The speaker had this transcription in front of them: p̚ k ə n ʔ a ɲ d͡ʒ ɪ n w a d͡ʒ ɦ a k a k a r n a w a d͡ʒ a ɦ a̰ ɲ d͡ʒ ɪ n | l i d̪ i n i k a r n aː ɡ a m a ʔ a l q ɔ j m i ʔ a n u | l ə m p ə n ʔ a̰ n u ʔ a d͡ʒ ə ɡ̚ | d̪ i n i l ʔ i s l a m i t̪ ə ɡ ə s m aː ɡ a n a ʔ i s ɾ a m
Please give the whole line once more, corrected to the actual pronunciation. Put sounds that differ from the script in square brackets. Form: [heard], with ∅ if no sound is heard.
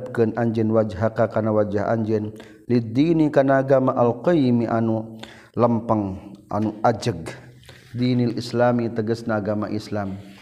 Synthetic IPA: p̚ k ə n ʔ a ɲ d͡ʒ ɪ n w a d͡ʒ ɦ a k a k a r n a w a d͡ʒ a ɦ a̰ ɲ d͡ʒ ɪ n | l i d̪ i n i k a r n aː ɡ a m a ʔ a l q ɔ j m i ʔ a n u | l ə m p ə [ŋ] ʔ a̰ n u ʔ a d͡ʒ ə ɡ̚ | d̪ i n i l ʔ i s l a m i t̪ ə ɡ ə s [n] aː ɡ a [m] a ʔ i s [l] a m